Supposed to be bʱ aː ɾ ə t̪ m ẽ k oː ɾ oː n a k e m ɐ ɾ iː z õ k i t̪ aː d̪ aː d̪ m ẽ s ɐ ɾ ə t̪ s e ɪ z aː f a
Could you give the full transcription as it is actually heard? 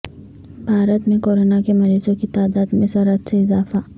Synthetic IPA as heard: bʱ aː ɾ ə t̪ m ẽ k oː ɾ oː n a k e m ɐ ɾ iː z õ k i t̪ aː d̪ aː d̪ m ẽ s ɐ ɾ ə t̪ s e ɪ z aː f a